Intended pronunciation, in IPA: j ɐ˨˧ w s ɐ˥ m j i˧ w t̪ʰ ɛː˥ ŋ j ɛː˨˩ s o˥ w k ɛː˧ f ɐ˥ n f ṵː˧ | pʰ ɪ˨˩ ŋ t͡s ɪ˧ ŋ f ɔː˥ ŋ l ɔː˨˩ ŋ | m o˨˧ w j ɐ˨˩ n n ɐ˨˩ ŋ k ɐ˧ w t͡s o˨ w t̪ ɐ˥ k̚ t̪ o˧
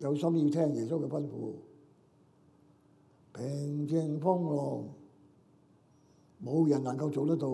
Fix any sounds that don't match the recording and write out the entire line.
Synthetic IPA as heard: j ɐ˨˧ w s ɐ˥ m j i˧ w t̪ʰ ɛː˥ ŋ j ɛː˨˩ s o˥ w k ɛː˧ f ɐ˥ n f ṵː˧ | pʰ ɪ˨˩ ŋ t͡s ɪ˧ ŋ f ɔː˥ ŋ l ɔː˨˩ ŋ | m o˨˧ w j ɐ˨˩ n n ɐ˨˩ ŋ k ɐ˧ w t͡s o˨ w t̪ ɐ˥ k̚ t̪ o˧